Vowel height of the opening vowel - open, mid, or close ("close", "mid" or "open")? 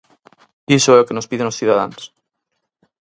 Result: close